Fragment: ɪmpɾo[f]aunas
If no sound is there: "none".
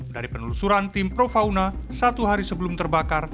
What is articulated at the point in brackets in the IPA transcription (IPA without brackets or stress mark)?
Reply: f